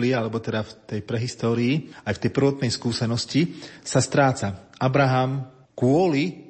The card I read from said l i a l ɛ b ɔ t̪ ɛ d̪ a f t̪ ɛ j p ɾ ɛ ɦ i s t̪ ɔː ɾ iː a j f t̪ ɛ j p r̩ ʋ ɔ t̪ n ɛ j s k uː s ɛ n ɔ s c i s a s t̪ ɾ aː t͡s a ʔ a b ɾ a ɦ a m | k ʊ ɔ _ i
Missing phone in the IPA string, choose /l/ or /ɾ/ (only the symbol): l